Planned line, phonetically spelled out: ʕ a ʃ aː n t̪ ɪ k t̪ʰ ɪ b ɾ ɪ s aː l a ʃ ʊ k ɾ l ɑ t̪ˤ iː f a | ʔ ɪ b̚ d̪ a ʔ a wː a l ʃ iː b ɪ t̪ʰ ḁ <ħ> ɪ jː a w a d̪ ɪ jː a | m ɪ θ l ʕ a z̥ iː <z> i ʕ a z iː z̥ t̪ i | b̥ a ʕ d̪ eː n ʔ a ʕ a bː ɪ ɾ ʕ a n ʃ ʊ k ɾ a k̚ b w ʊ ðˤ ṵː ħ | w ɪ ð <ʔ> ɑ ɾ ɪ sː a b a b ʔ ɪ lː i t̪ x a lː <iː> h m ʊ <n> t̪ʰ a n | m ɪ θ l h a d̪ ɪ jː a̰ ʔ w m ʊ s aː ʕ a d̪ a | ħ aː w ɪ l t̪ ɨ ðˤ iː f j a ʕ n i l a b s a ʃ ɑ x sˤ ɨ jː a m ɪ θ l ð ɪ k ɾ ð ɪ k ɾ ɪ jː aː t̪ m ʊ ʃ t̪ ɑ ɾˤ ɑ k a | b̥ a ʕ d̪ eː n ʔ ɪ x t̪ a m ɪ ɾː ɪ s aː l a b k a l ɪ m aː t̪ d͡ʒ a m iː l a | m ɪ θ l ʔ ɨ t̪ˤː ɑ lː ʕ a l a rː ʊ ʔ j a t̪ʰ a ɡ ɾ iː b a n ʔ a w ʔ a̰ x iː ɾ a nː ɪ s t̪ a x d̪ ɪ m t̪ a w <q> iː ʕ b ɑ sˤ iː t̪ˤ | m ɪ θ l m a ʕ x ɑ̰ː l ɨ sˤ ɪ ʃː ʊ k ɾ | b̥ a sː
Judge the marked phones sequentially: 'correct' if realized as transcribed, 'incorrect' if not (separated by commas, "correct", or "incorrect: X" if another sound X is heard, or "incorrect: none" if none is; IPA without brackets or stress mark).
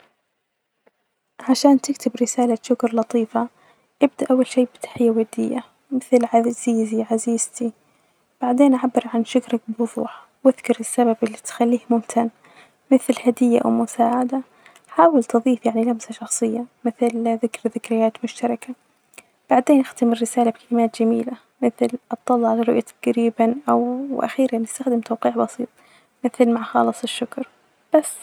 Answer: correct, correct, incorrect: k, correct, incorrect: m, correct